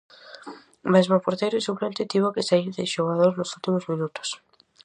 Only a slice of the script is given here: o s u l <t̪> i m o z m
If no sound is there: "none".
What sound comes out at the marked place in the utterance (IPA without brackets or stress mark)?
t̪